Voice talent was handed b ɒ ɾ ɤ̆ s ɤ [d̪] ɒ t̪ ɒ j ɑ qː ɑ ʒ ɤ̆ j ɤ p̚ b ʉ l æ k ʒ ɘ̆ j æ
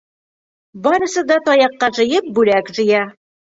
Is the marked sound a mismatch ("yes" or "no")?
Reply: no